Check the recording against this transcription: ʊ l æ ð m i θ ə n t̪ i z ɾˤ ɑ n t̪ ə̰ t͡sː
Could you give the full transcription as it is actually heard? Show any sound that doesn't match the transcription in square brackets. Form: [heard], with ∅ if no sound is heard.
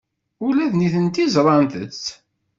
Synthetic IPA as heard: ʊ l æ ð [n] i θ ə n t̪ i z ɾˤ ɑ n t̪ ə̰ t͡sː